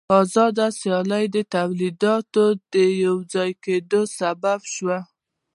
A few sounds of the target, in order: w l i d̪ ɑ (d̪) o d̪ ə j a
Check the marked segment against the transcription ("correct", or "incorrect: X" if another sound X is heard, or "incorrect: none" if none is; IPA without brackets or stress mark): incorrect: t̪